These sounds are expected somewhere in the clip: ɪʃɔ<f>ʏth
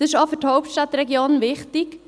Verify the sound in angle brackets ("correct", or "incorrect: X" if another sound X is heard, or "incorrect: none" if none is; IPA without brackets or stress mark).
correct